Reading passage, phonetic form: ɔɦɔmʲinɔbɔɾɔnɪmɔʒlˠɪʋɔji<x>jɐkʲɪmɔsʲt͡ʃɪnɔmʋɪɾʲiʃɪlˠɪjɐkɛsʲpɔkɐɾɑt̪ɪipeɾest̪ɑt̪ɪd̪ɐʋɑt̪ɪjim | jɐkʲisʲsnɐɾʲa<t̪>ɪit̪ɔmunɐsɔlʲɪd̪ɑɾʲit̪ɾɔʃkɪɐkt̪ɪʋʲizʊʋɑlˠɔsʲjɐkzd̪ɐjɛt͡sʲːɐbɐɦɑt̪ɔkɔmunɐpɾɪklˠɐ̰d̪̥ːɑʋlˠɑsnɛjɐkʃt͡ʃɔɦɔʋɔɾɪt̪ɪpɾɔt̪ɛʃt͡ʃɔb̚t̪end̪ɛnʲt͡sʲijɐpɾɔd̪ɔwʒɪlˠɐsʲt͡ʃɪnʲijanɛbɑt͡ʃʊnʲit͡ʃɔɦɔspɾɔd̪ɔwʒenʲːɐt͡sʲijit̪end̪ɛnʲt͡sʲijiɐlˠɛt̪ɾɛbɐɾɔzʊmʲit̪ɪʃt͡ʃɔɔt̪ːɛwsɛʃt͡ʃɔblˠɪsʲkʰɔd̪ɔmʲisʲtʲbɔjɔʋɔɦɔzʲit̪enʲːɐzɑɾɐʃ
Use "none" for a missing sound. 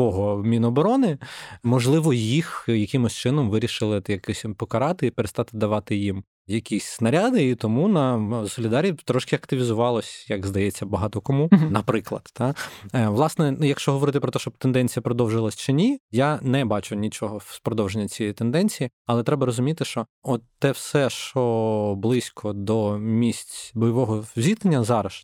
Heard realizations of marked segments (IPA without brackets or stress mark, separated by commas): x, d̪